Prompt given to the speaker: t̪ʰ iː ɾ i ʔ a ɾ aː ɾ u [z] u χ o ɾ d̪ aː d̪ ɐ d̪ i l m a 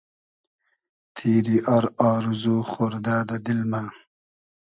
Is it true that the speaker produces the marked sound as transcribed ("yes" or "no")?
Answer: yes